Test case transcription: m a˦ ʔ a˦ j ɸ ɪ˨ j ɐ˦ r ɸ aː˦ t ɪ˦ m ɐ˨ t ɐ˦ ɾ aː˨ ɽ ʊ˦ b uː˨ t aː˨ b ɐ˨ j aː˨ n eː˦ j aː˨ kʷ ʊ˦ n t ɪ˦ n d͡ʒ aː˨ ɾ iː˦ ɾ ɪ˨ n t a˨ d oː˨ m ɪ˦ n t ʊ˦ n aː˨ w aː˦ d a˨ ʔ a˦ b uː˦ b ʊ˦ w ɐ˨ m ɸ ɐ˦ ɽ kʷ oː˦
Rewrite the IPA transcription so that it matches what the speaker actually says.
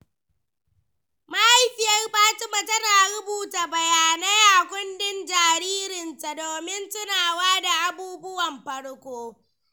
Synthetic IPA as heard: m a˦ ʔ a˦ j ɸ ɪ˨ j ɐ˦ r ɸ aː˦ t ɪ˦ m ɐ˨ t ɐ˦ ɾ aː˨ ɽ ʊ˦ b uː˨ t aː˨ b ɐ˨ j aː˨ n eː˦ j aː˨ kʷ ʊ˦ n d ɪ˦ n d͡ʒ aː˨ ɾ iː˦ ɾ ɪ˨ n t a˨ d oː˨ m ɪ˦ n t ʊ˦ n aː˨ w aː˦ d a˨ ʔ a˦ b uː˦ b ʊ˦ w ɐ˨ m ɸ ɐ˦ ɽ kʷ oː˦